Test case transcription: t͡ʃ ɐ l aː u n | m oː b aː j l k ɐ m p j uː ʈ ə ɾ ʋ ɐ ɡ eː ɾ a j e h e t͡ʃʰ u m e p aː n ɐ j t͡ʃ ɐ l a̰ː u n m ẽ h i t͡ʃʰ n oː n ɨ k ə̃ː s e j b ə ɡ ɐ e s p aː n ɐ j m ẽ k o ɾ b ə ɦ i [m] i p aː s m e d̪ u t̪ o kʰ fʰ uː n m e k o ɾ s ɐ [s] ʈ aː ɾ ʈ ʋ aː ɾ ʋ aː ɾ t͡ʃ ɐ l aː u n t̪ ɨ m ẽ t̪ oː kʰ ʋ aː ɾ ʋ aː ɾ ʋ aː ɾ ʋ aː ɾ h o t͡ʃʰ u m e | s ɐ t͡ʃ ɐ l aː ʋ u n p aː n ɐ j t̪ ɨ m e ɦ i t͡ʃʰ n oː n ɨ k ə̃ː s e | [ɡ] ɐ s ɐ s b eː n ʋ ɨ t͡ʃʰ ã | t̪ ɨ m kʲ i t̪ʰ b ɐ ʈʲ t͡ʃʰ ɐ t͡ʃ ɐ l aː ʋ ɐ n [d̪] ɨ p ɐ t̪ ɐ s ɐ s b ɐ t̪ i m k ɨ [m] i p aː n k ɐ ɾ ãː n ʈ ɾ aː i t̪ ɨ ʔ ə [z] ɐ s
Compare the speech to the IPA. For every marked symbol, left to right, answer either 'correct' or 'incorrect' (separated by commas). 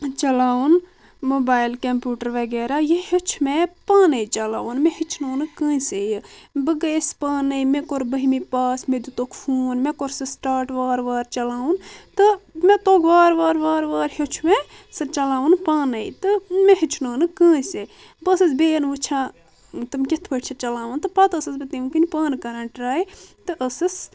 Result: correct, correct, incorrect, incorrect, incorrect, incorrect